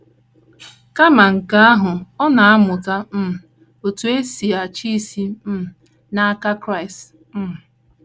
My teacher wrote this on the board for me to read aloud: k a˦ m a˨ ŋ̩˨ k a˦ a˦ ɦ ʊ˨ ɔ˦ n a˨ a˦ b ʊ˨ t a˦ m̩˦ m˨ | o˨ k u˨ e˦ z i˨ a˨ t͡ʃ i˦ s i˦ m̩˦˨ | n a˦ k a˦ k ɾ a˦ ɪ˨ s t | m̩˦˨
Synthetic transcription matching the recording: k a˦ m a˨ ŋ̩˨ k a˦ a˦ ɦ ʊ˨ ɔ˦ n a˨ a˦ m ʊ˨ k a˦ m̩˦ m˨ | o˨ t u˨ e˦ s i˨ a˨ t͡ʃ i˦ s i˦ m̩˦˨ | n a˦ k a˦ k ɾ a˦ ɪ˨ s t | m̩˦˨